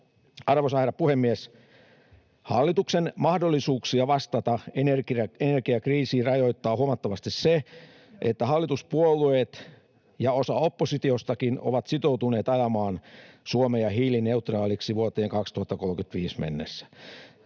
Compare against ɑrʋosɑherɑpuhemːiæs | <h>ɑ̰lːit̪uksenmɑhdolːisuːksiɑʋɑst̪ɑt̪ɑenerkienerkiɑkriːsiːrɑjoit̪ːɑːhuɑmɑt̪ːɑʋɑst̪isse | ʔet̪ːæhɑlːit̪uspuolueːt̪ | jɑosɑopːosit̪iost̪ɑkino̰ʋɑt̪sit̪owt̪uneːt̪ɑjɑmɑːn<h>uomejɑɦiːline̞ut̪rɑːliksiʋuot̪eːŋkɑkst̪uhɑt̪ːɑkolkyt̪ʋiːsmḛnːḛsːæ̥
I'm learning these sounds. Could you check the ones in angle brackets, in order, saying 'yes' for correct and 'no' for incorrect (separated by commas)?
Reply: yes, no